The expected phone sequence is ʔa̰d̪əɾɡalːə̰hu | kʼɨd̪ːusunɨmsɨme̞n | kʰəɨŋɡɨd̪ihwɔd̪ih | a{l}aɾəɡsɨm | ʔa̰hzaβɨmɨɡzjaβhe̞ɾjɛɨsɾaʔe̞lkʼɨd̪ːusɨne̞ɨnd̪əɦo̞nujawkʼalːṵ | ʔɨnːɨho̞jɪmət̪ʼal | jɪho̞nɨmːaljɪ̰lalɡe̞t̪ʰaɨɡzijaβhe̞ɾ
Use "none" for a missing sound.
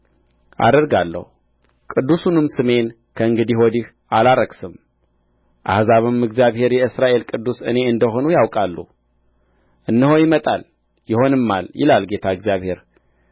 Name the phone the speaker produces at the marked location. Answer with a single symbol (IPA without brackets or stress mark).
l